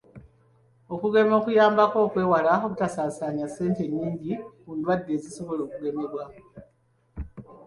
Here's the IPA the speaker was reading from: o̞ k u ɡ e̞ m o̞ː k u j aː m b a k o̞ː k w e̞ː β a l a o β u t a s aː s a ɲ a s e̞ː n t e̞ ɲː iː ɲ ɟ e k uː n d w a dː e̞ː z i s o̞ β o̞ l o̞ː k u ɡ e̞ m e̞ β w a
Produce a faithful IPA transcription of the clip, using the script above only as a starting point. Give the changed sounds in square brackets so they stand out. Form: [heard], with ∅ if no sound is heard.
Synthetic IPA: o̞ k u ɡ e̞ m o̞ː k u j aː m b a k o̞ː k w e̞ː [w] a l a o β u t a s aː s a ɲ a s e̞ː n t e̞ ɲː iː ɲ ɟ [i] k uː n d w a dː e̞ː z i s o̞ β o̞ l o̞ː k u ɡ e̞ m e̞ β w a